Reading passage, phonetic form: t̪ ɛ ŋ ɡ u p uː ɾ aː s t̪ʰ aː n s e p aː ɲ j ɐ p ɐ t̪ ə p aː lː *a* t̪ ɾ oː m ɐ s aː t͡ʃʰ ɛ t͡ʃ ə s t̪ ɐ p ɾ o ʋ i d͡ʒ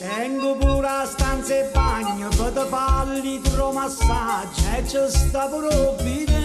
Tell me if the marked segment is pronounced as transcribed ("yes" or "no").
no